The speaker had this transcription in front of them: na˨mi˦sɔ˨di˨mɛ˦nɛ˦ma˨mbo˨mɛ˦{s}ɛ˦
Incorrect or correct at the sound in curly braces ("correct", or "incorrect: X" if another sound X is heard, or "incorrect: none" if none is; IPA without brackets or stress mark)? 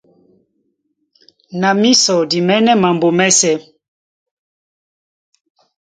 correct